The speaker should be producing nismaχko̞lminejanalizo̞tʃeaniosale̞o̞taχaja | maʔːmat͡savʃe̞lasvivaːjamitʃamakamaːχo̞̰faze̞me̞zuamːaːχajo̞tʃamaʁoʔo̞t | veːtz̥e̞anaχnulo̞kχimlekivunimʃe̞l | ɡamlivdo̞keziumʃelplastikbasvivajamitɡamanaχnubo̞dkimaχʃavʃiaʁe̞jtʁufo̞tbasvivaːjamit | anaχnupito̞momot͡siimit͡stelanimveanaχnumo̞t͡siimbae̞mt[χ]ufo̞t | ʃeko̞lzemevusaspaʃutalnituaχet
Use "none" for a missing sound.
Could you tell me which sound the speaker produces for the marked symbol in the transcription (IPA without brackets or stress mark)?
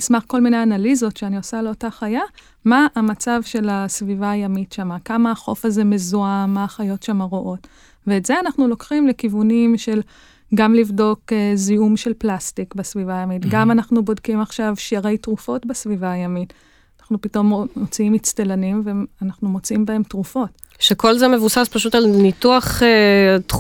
ʁ